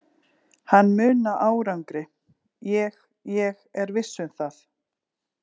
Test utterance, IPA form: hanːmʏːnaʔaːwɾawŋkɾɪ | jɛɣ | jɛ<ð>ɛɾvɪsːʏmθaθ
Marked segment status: incorrect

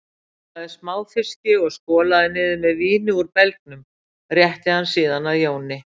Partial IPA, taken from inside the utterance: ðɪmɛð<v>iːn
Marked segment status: correct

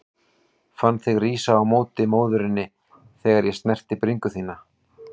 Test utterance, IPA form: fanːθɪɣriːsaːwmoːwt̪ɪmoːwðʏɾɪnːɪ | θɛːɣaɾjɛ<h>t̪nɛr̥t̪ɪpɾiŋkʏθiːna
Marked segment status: incorrect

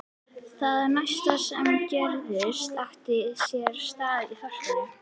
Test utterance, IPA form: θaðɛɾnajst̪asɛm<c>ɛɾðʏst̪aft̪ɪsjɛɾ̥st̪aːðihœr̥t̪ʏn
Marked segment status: correct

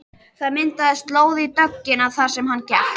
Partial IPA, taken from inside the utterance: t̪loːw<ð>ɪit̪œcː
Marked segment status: correct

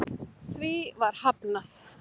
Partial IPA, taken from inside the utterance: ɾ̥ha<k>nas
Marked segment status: incorrect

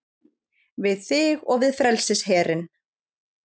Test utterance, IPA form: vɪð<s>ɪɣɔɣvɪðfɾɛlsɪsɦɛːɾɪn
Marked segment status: incorrect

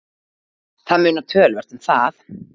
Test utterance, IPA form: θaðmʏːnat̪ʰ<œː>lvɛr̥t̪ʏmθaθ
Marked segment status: correct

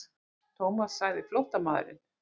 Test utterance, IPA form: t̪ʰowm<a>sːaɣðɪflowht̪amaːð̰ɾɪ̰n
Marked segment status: correct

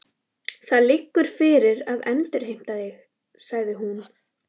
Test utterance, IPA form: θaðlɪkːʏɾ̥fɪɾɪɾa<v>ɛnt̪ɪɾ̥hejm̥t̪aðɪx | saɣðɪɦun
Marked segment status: incorrect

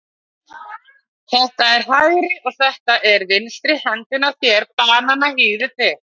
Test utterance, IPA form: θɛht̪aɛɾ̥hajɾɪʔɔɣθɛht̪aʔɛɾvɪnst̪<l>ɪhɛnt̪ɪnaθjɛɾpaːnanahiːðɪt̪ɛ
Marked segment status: incorrect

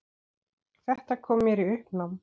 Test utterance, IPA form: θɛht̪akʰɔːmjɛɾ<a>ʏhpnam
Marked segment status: incorrect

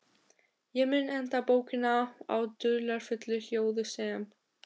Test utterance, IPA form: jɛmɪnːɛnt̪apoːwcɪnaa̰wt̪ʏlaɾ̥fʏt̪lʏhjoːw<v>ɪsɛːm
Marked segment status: incorrect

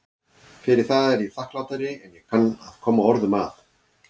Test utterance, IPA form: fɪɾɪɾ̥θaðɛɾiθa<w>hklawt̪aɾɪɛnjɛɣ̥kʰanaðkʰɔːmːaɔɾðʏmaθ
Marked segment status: incorrect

